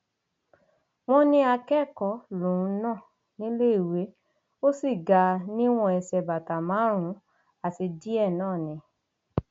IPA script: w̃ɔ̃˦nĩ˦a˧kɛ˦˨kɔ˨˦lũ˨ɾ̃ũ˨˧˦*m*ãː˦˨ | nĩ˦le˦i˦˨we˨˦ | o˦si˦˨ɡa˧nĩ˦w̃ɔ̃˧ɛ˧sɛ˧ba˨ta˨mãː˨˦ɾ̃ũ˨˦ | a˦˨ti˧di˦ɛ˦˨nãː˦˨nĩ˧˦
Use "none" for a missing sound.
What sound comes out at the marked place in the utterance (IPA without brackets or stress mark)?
n